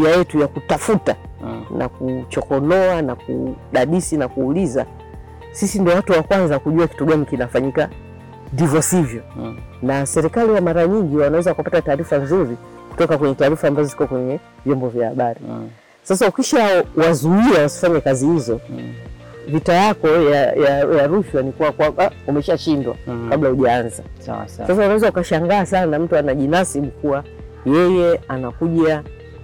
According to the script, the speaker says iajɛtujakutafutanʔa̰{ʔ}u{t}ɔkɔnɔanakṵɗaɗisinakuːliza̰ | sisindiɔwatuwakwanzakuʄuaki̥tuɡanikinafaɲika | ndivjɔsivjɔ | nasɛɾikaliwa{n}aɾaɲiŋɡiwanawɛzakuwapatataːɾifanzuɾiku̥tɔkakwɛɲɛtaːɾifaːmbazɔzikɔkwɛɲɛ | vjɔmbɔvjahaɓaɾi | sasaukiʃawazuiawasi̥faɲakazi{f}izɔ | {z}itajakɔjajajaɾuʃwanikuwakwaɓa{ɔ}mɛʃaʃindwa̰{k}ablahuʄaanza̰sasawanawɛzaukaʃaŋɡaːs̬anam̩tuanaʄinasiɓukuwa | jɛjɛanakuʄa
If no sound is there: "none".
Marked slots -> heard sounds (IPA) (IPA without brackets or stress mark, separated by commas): k, t͡ʃ, m, h, v, u, k